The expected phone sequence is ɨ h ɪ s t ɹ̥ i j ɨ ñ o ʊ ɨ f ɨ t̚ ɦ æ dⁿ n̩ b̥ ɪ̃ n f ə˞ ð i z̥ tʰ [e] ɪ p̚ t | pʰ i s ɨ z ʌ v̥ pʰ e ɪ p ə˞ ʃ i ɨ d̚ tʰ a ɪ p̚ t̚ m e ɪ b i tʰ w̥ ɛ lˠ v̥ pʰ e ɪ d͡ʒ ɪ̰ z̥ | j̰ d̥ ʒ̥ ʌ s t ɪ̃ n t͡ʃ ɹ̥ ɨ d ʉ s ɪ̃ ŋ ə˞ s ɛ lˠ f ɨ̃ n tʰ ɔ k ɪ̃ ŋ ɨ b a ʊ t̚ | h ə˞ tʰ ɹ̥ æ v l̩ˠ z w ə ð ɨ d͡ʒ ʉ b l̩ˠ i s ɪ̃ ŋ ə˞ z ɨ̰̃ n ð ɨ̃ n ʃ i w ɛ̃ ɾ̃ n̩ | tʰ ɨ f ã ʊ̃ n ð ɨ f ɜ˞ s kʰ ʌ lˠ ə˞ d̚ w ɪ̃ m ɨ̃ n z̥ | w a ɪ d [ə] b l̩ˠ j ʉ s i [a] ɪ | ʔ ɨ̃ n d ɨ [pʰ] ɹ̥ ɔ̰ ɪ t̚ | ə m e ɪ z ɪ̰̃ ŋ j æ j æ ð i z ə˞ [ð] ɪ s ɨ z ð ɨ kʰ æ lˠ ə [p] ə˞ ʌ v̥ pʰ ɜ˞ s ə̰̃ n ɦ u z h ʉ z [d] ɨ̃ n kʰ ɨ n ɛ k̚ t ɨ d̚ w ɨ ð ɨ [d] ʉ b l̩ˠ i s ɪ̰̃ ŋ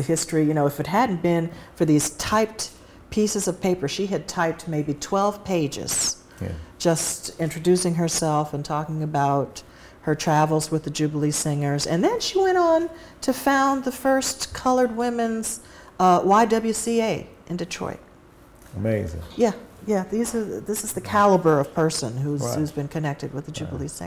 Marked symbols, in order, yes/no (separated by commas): no, no, no, no, yes, no, no, no